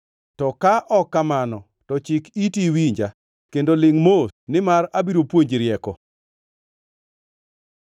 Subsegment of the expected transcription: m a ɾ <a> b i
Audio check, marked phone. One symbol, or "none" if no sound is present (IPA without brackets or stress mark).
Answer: a